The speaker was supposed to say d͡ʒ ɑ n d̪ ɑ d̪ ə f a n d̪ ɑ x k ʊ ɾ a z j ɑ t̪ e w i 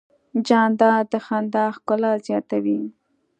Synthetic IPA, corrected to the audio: d͡ʒ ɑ n d̪ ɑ d̪ ə x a n d̪ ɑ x k ʊ l a z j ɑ t̪ a w i